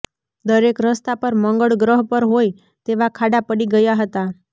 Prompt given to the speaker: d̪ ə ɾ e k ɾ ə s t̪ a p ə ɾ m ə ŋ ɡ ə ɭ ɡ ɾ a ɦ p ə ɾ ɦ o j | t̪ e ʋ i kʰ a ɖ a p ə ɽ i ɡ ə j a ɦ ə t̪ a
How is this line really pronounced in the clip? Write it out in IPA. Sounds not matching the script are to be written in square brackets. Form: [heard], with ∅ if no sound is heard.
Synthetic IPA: d̪ ə ɾ e k ɾ ə s t̪ a p ə ɾ m ə ŋ ɡ ə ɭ ɡ ɾ [ə] ɦ p ə ɾ ɦ o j | t̪ e ʋ [a] kʰ a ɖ a p ə ɽ i ɡ ə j a ɦ ə t̪ a